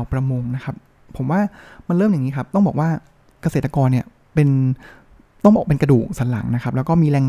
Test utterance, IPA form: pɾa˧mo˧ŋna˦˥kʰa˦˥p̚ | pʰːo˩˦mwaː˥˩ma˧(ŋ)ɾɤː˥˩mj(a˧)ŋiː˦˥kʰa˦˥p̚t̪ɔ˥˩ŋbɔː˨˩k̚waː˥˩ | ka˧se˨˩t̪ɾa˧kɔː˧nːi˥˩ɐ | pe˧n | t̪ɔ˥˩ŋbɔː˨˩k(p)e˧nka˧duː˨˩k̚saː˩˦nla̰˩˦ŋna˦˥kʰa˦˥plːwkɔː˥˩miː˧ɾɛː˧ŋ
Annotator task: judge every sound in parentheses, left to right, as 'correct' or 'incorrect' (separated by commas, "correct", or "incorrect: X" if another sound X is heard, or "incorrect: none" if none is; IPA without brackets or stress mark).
incorrect: n, incorrect: a˨˩, correct